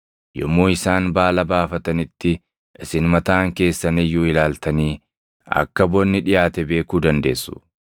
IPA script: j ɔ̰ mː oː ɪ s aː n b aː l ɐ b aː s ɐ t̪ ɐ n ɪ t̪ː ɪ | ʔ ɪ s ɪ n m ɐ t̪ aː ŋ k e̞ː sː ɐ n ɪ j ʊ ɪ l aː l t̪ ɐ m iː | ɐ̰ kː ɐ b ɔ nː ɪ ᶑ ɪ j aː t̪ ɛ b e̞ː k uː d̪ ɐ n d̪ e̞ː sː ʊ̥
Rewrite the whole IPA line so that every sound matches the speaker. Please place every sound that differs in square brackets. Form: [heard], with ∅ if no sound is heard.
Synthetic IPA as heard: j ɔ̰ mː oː ɪ s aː n b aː l ɐ b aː [f] ɐ t̪ ɐ n ɪ t̪ː ɪ | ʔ ɪ s ɪ n m ɐ t̪ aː ŋ k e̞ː sː ɐ n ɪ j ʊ ɪ l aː l t̪ ɐ [n] iː | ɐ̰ kː ɐ b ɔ nː ɪ ᶑ ɪ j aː t̪ ɛ b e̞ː k uː d̪ ɐ n d̪ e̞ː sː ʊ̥